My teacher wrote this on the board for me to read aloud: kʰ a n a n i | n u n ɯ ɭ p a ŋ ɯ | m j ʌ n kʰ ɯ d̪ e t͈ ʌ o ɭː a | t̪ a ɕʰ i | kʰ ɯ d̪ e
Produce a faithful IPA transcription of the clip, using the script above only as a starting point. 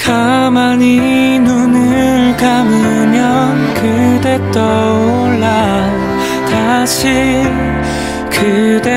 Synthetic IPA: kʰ a m a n i | n u n ɯ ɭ k a m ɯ | m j ʌ n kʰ ɯ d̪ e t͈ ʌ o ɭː a | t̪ a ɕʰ i | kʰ ɯ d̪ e

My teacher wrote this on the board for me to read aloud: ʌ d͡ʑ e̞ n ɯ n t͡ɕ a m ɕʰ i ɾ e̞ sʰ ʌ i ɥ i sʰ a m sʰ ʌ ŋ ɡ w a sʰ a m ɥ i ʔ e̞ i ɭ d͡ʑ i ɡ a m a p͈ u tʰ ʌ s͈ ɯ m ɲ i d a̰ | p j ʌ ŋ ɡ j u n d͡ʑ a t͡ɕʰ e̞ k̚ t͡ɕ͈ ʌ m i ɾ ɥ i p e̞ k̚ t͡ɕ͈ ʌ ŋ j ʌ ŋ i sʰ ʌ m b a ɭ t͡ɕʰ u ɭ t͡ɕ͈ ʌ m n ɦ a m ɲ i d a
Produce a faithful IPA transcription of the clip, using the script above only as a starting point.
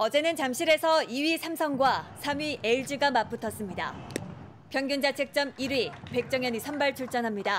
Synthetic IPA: ʌ d͡ʑ e̞ n ɯ n t͡ɕ a m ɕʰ i ɾ e̞ sʰ ʌ i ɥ i sʰ a m sʰ ʌ ŋ ɡ w a sʰ a m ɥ i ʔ e̞ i ɭ d͡ʑ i ɡ a m a p͈ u tʰ ʌ s͈ ɯ m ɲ i d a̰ | p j ʌ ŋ ɡ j u n d͡ʑ a t͡ɕʰ e̞ k̚ t͡ɕ͈ ʌ m i ɾ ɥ i p e̞ k̚ t͡ɕ͈ ʌ ŋ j ʌ ɲ i sʰ ʌ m b a ɭ t͡ɕʰ u ɭ t͡ɕ͈ ʌ n ɦ a m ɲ i d a

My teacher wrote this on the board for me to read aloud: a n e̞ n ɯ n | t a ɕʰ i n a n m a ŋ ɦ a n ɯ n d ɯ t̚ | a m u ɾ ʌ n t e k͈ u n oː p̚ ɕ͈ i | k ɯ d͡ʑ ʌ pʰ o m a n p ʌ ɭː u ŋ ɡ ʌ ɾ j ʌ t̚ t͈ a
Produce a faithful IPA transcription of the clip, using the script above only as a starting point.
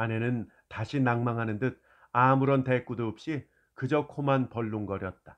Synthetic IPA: a n e̞ n ɯ n | t a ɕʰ i n a ŋ m a ŋ ɦ a n ɯ n d ɯ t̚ | a m u ɾ ʌ n t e k͈ u d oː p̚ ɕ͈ i | k ɯ d͡ʑ ʌ kʰ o m a n p ʌ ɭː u ŋ ɡ ʌ ɾ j ʌ t̚ t͈ a

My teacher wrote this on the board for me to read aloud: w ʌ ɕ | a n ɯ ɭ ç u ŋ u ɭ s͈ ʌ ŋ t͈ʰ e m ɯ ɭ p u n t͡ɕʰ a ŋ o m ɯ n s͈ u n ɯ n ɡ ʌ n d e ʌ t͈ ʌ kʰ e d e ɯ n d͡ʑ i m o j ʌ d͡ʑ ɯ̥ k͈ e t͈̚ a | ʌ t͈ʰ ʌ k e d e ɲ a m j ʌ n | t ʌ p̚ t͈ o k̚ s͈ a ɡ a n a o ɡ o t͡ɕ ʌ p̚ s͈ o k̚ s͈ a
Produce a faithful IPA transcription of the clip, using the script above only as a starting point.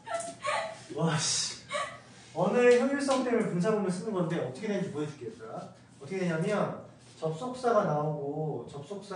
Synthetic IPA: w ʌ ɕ | ʌ n ɯ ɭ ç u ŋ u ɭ s͈ ʌ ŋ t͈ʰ e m ɯ ɭ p u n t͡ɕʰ a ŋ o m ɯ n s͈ ɯ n ɯ n ɡ ʌ n d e ʌ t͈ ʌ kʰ e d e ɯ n d͡ʑ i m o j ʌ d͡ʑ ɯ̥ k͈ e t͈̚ a | ʌ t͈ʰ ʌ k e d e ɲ a m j ʌ n | t͡ɕ ʌ p̚ s͈ o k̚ s͈ a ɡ a n a o ɡ o t͡ɕ ʌ p̚ s͈ o k̚ s͈ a

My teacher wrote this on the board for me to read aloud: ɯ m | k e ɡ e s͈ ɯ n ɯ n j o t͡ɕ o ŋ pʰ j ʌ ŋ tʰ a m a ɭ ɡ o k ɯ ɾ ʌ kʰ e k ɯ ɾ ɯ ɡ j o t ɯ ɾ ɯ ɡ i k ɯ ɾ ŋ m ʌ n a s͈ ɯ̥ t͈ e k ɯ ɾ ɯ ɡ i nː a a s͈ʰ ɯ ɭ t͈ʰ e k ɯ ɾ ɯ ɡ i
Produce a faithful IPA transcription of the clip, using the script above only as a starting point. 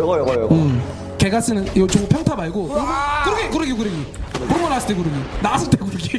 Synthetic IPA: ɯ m | k e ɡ a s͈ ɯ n ɯ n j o t͡ɕ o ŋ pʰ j ʌ ŋ tʰ a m a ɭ ɡ o k ɯ ɾ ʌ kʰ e k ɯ ɾ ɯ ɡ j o k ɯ ɾ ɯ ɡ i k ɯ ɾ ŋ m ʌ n a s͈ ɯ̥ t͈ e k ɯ ɾ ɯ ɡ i n a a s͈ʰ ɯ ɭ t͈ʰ e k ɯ ɾ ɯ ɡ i

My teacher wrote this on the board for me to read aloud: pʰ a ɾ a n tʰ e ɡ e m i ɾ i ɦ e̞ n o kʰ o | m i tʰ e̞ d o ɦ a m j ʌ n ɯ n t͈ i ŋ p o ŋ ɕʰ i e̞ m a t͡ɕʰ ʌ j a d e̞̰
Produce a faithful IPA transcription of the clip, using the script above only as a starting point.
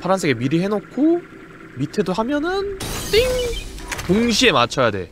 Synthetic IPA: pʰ a ɾ a n sʰ e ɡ e m i ɾ i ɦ e̞ n o kʰ o | m i tʰ e̞ d o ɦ a m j ʌ n ɯ n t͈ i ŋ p o ŋ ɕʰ i e̞ m a t͡ɕʰ ʌ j a d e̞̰

